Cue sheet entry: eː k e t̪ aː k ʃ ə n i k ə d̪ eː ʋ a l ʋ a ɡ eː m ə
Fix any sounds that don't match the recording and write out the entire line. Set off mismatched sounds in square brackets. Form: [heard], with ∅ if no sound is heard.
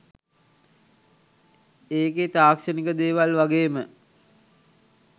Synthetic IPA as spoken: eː k e t̪ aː k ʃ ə n i k ə d̪ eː ʋ a l ʋ a ɡ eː m ə